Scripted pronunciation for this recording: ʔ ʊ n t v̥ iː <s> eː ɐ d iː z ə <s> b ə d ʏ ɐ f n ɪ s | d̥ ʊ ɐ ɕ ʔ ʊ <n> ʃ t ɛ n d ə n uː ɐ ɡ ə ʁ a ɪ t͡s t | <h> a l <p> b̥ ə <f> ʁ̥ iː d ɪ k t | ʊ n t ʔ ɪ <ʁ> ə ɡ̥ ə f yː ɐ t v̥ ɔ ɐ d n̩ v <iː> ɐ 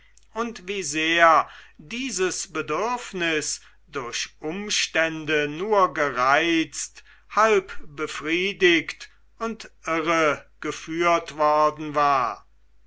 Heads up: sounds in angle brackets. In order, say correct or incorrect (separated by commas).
incorrect, correct, incorrect, correct, correct, correct, correct, incorrect